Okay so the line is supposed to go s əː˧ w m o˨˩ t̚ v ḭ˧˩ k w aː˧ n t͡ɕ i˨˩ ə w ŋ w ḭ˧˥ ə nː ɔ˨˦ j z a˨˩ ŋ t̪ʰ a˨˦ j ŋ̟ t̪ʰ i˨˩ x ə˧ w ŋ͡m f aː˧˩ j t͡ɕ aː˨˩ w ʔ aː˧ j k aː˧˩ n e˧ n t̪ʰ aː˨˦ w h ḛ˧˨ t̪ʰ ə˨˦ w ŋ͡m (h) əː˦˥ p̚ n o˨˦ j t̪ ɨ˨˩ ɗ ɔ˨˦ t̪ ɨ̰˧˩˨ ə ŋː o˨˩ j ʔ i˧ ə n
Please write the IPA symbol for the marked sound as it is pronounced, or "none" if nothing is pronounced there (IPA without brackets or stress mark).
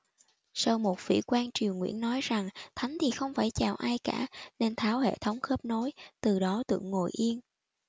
x